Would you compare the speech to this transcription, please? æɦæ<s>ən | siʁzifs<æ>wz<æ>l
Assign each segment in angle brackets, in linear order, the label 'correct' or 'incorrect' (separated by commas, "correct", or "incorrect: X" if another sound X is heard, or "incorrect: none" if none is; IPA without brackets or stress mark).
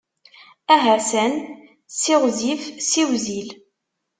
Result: correct, incorrect: i, incorrect: i